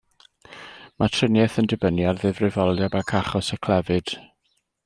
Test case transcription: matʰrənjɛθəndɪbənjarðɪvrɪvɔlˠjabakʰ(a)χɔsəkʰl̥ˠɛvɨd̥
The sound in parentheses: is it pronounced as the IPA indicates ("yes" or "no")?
yes